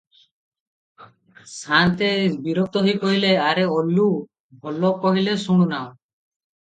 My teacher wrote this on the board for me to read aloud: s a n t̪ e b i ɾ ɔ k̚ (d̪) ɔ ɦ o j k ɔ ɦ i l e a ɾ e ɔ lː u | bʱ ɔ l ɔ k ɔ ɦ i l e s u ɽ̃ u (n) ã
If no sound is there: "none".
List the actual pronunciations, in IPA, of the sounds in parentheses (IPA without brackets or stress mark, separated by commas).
t̪, n